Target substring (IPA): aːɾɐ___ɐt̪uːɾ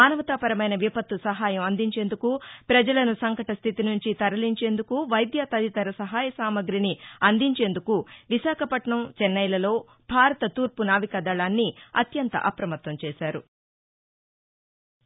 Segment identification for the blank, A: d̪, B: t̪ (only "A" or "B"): B